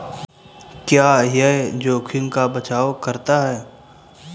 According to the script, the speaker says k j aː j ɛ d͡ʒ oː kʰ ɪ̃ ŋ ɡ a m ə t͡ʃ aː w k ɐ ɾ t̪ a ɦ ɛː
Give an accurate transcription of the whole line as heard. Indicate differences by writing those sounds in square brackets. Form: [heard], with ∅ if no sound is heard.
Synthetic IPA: k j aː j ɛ d͡ʒ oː kʰ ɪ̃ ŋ [k] a [b] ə t͡ʃ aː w k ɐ ɾ t̪ a ɦ ɛː